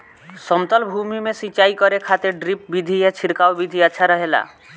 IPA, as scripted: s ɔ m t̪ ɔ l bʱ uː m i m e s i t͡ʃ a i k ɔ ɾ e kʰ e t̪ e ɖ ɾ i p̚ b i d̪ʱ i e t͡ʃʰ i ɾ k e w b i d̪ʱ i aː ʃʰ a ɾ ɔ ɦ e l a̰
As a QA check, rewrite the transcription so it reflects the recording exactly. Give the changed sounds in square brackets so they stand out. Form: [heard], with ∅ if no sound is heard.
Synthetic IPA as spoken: s ɔ m t̪ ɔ l bʱ [u] m i m e s i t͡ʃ a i k ɔ ɾ e kʰ [a] t̪ e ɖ ɾ i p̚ b i d̪ʱ i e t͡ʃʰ i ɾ k [a] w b i d̪ʱ i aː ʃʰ a ɾ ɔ ɦ e l a̰

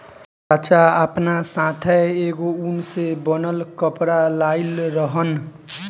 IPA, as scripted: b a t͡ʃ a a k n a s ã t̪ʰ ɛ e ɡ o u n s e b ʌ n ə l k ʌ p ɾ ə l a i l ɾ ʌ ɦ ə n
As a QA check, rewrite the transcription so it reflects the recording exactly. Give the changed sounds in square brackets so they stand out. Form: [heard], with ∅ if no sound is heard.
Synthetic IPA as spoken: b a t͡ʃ a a [p] n a s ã t̪ʰ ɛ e ɡ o u n s e b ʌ n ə l k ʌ p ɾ [a] l a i l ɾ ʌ ɦ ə n

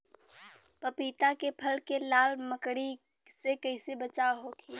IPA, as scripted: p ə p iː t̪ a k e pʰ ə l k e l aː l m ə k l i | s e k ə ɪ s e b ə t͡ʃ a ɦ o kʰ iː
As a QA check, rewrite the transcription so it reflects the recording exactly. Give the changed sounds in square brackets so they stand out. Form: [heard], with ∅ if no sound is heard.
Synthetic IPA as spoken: p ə p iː t̪ a k e pʰ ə l k e l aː l m ə k [ɽ] i | s e k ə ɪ s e b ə t͡ʃ a ɦ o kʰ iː

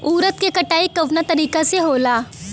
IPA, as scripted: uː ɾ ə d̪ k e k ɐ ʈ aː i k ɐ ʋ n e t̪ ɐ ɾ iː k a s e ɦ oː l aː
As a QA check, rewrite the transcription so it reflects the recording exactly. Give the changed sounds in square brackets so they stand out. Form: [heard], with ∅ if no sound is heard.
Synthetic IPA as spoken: uː ɾ ə [t̪] k e k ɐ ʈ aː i k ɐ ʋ n [a] t̪ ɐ ɾ iː k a s e ɦ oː l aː

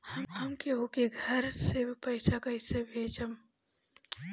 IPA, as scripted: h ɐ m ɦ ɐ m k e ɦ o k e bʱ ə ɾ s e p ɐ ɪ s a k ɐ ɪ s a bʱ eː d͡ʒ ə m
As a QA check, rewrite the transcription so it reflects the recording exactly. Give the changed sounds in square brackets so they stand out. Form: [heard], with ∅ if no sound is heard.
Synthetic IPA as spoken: h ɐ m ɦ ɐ m k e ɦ o k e [ɡʱ] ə ɾ s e p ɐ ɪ s a k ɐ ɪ s [e] bʱ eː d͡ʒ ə m

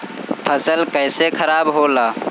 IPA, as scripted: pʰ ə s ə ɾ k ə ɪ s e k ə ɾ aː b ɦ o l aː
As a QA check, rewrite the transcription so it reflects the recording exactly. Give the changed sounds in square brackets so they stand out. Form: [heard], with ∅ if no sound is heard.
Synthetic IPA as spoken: pʰ ə s ə [l] k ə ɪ s e [kʰ] ə ɾ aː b ɦ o l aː

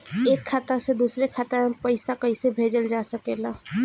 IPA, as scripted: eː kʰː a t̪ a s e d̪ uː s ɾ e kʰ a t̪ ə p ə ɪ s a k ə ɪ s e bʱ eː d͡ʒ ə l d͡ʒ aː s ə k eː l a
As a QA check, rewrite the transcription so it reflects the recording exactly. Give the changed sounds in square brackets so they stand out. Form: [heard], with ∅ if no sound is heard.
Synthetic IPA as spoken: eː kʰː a t̪ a s e d̪ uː s ɾ e kʰ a t̪ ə p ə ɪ s a k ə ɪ s e bʱ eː d͡ʒ ə l d͡ʒ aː s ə k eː l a

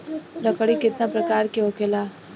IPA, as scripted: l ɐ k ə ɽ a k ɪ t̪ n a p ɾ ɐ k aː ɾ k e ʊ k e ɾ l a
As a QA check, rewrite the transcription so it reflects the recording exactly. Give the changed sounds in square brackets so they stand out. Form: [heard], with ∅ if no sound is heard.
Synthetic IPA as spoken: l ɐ k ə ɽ [i] k ɪ t̪ n a p ɾ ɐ k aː ɾ k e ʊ k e [∅] l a

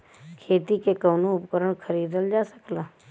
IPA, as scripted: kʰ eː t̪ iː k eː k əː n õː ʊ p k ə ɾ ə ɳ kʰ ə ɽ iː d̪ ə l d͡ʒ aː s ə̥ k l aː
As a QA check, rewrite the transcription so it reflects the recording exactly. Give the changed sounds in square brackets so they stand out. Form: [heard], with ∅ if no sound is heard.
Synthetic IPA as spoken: kʰ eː t̪ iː k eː k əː n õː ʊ p k ə ɾ ə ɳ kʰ ə [ɾ] iː d̪ ə l d͡ʒ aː s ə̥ k l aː

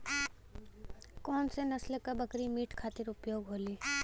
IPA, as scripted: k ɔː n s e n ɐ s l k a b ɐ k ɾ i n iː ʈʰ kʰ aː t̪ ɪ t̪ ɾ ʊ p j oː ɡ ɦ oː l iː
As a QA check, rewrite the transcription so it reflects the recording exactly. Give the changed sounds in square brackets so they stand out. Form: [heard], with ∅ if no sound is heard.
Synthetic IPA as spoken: k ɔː n s e n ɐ s l k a b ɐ k ɾ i [m] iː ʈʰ kʰ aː t̪ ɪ [∅] ɾ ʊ p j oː ɡ ɦ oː l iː

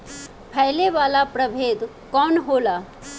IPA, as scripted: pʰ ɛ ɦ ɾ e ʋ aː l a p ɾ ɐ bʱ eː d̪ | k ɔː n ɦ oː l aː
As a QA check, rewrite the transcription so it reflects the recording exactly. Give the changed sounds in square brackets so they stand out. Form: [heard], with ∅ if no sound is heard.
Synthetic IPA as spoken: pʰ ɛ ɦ [l] e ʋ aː l a p ɾ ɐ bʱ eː d̪ | k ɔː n ɦ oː l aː

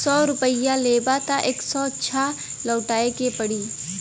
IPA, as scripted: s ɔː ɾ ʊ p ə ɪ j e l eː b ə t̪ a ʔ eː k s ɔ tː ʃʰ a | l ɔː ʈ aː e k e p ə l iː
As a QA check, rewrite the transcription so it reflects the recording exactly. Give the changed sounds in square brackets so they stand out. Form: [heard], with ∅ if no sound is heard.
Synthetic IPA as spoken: s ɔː ɾ ʊ p ə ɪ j [a] l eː b [a] t̪ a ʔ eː k s ɔ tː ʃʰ a | l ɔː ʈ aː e k e p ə [ɽ] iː

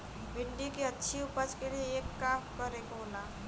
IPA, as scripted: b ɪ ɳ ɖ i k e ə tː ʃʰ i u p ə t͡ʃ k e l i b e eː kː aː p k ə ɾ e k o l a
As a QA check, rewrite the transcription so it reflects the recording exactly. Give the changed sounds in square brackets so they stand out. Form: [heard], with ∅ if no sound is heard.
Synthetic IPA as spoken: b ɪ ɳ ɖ i k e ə tː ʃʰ i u p ə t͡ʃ k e l i [∅] e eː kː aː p k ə ɾ e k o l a

